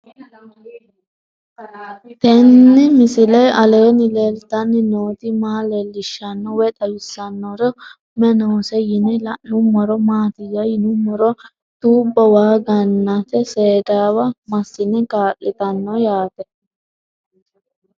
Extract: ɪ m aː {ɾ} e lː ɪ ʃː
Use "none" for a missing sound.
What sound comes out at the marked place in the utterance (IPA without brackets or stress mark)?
l